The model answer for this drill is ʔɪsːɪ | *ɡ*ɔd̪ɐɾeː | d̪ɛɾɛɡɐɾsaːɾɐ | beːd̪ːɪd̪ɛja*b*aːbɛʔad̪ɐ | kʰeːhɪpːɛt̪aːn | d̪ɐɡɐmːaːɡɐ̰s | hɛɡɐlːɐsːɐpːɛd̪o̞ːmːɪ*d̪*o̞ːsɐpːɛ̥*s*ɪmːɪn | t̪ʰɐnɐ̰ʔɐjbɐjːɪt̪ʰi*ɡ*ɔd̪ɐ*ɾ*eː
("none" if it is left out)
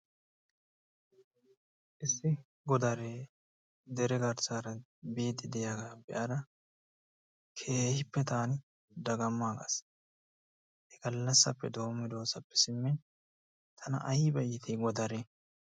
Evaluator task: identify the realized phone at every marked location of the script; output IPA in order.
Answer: ɡ, ɡ, d̪, s, ɡ, ɾ

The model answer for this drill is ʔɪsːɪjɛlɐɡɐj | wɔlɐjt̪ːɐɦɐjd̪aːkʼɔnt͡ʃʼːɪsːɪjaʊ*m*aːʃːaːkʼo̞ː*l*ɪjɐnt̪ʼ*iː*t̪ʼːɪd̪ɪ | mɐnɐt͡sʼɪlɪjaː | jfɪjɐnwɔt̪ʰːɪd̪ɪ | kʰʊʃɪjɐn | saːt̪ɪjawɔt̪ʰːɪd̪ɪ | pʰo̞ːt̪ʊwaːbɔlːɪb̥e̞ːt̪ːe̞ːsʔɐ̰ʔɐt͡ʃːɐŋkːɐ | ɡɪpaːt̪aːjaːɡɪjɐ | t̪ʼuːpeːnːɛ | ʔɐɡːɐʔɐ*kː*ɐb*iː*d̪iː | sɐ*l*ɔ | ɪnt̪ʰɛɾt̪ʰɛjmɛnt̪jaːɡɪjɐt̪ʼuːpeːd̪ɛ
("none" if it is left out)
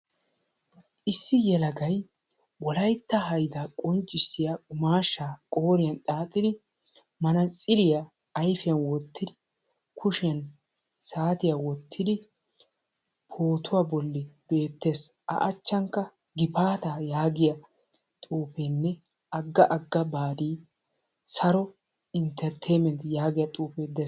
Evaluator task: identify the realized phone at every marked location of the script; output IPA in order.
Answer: m, ɾ, aː, ɡː, aː, ɾ

